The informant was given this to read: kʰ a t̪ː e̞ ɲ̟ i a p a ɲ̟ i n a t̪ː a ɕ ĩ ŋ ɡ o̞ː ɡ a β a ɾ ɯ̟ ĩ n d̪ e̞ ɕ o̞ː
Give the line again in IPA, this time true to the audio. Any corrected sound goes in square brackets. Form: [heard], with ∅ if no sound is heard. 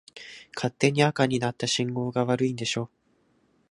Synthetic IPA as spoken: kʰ a t̪ː e̞ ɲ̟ i a [k] a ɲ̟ i n a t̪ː a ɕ ĩ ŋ ɡ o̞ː ɡ a β a ɾ ɯ̟ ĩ n d̪ e̞ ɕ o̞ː